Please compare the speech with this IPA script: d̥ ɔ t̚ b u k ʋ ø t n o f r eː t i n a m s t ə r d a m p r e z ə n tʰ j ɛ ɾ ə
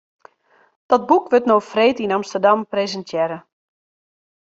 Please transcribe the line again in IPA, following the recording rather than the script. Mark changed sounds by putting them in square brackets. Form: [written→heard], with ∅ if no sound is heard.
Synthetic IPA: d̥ ɔ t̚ b u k ʋ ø t n o f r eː t i n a m s t ə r d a m p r e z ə n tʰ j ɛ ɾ ə